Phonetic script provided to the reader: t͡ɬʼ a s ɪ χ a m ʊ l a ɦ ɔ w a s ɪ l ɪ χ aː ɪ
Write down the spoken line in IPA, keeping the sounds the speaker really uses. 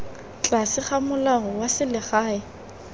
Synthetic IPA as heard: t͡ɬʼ a s ɪ χ a m ʊ l a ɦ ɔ w a s ɪ l ɪ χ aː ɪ